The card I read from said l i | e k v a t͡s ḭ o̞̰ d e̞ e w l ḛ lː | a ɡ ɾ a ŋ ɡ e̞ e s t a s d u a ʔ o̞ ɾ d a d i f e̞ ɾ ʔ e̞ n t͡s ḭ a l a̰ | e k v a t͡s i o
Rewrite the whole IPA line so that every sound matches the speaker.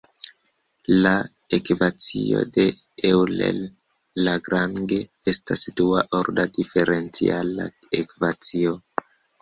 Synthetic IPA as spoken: l a | e k v a t͡s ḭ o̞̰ d e̞ e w l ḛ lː | a ɡ ɾ a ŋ ɡ e̞ e s t a s d u a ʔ o̞ ɾ d a d i f e̞ ɾ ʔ e̞ n t͡s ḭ a l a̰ | e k v a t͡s i o